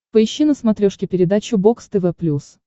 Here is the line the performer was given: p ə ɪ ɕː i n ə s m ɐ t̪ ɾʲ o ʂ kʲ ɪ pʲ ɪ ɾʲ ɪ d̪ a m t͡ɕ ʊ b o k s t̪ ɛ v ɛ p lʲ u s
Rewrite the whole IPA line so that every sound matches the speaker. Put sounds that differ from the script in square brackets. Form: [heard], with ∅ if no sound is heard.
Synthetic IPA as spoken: p ə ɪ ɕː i n ə s m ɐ t̪ ɾʲ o ʂ kʲ ɪ pʲ ɪ ɾʲ ɪ d̪ a [∅] t͡ɕ ʊ b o k s t̪ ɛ v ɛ p lʲ u s